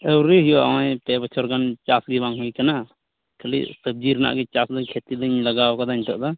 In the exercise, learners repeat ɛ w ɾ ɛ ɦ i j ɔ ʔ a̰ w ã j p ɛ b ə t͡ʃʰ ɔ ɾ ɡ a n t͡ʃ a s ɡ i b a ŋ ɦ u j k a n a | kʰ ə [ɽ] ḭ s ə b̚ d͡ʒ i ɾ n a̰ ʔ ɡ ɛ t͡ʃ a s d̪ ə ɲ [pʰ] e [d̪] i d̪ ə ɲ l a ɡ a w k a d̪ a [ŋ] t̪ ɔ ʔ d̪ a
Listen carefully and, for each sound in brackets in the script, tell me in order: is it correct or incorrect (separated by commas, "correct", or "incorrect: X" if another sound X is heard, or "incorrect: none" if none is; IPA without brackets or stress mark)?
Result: incorrect: l, incorrect: kʰ, incorrect: t̪, incorrect: ɲ